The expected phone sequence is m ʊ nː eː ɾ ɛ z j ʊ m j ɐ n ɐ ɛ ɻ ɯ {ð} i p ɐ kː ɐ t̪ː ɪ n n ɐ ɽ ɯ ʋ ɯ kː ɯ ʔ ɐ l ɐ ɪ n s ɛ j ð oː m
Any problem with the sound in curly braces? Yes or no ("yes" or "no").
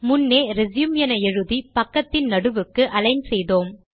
no